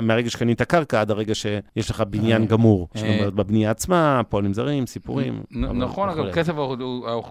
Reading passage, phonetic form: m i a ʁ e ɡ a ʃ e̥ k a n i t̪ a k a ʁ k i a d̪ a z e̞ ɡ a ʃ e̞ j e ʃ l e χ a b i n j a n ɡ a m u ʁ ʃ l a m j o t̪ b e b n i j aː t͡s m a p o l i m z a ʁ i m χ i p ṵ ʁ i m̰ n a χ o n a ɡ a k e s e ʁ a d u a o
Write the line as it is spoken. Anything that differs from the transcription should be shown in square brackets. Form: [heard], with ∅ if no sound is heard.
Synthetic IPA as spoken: m [e] a ʁ e ɡ a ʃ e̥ k a n i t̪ a k a ʁ k [a] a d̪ a [ʁ] e̞ ɡ a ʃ e̞ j e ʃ l e χ a b i n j a n ɡ a m u ʁ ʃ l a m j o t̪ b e b n i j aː t͡s m a p o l i m z a ʁ i m [s] i p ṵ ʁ i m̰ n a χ o n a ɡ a k e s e [v] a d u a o